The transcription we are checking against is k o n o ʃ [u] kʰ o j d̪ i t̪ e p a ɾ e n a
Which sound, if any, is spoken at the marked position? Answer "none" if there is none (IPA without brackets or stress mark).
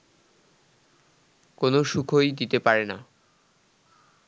u